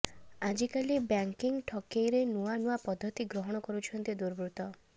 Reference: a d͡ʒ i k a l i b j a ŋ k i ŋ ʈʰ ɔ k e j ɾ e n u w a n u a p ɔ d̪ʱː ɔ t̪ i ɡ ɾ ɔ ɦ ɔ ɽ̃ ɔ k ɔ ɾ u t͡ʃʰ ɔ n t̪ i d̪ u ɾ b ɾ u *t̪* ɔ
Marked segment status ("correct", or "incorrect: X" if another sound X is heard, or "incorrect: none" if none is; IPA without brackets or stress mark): correct